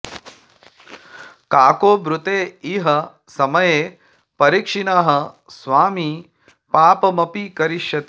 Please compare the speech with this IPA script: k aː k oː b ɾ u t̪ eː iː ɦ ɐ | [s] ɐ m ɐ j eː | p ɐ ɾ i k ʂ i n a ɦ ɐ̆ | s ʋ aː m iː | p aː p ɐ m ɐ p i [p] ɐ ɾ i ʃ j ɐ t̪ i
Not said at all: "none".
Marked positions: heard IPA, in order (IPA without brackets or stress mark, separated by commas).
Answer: s, k